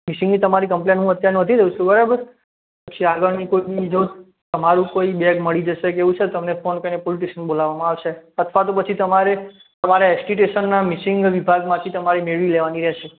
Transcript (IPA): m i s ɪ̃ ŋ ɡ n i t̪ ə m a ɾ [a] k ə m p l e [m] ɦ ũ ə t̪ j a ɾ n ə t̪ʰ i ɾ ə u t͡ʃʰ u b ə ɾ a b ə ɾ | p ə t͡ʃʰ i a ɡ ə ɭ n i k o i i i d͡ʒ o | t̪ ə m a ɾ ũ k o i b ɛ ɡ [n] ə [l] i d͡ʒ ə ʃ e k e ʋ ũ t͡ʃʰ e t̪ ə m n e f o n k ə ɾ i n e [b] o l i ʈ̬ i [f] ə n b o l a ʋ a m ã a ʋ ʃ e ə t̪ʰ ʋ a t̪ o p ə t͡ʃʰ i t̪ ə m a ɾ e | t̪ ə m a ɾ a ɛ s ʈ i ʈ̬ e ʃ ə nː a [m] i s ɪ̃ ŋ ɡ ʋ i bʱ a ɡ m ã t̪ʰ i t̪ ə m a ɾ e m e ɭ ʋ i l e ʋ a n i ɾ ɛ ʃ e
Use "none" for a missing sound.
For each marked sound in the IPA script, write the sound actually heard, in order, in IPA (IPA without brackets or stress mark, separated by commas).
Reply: i, n, m, ɭ, p, ʃ, m